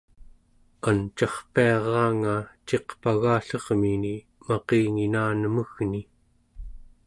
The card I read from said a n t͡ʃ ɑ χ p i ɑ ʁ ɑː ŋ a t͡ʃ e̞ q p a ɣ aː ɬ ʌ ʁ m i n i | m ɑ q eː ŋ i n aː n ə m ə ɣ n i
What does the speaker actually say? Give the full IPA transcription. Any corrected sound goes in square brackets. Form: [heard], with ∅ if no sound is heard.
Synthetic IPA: a n t͡ʃ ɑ χ p i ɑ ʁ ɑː ŋ a t͡ʃ e̞ q p a ɣ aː ɬ ʌ ʁ m i n i | m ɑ q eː ŋ i n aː n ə m ə ɣ n i